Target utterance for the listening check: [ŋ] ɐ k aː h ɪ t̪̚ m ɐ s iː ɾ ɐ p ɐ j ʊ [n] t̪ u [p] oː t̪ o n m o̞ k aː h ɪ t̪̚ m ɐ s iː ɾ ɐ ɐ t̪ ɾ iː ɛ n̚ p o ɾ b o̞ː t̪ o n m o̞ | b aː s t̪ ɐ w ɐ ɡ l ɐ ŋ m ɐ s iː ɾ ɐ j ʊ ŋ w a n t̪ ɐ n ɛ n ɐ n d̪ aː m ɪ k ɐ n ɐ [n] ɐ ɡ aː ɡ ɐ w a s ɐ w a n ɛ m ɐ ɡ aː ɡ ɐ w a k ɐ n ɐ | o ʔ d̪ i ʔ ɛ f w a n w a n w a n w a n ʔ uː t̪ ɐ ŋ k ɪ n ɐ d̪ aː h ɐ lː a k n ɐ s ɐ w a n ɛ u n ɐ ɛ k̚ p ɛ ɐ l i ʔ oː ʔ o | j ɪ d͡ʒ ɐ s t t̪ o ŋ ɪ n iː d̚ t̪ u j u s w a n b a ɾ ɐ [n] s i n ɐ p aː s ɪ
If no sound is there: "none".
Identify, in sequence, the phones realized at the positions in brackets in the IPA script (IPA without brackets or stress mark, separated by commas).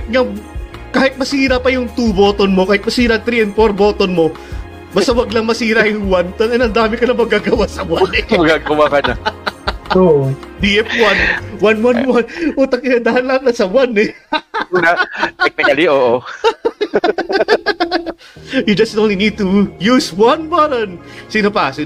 ŋ, ŋ, b, m, n